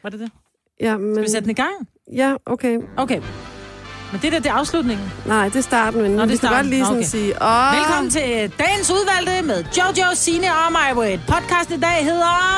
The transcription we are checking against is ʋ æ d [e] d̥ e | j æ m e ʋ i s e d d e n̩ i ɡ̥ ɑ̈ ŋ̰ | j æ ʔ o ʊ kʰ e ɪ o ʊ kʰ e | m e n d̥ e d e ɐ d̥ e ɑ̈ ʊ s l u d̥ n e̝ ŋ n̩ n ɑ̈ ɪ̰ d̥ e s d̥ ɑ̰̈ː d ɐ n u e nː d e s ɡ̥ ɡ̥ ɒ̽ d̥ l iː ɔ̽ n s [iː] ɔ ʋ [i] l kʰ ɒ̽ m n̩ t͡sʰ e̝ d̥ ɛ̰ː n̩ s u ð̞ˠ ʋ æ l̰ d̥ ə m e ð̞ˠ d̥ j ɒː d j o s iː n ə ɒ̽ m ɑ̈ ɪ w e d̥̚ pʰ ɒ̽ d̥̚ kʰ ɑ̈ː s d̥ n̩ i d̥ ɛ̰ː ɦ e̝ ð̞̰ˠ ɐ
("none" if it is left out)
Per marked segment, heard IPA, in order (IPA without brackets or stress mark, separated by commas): e, iː, e